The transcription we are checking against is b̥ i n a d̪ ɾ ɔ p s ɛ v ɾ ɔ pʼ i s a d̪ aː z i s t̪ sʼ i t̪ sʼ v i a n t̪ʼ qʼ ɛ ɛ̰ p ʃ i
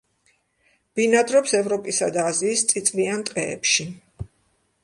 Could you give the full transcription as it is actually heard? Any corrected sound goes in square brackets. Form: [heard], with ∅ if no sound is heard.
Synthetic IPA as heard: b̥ i n a d̪ ɾ ɔ p s ɛ v ɾ ɔ pʼ i s a d̪ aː z [iː] s t̪ sʼ i t̪ sʼ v i a n t̪ʼ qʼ ɛ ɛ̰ p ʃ i